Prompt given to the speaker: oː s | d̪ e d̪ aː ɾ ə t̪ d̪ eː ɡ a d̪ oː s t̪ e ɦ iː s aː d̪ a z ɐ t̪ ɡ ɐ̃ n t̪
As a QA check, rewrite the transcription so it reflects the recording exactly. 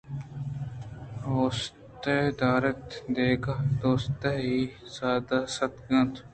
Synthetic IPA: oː s | t̪ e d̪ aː ɾ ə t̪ d̪ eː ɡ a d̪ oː s t̪ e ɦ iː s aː d̪ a s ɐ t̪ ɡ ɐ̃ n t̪